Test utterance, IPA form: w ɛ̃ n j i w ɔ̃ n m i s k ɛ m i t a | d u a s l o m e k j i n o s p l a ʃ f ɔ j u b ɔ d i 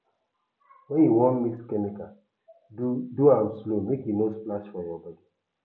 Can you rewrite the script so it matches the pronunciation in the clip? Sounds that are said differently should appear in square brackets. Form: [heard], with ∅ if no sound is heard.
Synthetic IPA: w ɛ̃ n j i w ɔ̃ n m i s k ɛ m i [k] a | d u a s l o m e k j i n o s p l a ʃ f ɔ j [ɔ] b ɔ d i